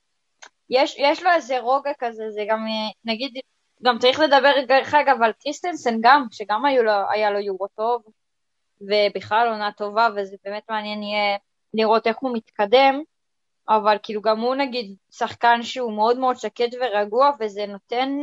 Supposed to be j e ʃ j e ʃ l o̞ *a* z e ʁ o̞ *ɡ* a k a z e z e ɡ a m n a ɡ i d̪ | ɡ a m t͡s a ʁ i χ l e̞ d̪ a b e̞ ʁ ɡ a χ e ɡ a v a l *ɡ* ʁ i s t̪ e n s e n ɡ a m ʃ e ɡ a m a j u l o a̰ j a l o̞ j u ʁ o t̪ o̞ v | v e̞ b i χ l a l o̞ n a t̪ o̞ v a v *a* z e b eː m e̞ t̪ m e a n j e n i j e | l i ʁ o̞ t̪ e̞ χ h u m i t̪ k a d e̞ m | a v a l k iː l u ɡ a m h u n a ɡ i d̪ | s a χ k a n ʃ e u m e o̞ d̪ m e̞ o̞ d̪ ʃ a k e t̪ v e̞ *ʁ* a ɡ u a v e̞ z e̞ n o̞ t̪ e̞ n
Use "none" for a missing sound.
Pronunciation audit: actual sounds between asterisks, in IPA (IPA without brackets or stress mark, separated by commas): e, ɡ, k, e, ʁ